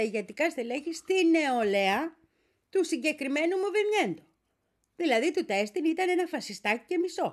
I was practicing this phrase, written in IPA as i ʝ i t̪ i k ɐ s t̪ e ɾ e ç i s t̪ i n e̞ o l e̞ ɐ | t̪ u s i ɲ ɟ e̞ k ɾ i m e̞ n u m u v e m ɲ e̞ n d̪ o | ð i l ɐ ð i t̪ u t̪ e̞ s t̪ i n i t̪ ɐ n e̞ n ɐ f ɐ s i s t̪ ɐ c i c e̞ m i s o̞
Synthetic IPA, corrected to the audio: i ʝ e t̪ i k ɐ s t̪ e l e ç i s t̪ i n e̞ o l e̞ ɐ | t̪ u s i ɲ ɟ e̞ k ɾ i m e̞ n u m u v e m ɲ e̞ n d̪ o | ð i l ɐ ð i t̪ u t̪ e̞ s t̪ i n i t̪ ɐ n e̞ n ɐ f ɐ s i s t̪ ɐ c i c e̞ m i s o̞